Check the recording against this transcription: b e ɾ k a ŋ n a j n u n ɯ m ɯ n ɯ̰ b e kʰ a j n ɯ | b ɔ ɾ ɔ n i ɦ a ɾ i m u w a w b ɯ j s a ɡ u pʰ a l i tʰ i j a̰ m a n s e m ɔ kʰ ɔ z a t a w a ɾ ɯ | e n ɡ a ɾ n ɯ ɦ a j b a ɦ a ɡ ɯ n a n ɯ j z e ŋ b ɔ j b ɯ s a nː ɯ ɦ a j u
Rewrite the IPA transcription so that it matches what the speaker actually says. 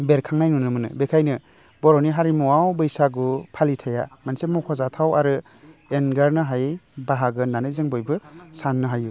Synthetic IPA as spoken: b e ɾ kʰ a ŋ n a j n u n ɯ m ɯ n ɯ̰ b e kʰ a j n ɯ | b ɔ ɾ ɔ n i ɦ a ɾ i m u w a w b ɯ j s a ɡ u pʰ a l i tʰ a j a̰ m a n s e m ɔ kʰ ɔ z a tʰ a w a ɾ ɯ | e n ɡ a ɾ n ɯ ɦ a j b a ɦ a ɡ ɯ n a n ɯ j z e ŋ b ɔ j b ɯ s a nː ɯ ɦ a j u